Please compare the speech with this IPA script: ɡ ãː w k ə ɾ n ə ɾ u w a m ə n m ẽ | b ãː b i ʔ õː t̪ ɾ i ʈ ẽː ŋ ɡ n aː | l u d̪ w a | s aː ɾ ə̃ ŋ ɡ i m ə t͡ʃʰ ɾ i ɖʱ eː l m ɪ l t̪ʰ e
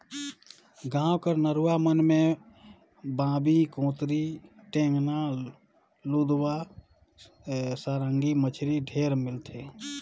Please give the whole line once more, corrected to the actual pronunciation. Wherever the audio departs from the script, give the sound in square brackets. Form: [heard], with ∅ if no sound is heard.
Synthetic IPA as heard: ɡ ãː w k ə ɾ n ə ɾ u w a m ə n m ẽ | b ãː b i [k] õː t̪ ɾ i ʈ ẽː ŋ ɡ n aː | l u d̪ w a | s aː ɾ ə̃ ŋ ɡ i m ə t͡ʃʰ ɾ i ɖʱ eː [ɾ] m ɪ l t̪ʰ e